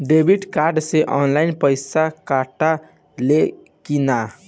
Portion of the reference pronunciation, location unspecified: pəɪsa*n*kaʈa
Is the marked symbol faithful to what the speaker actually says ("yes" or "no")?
no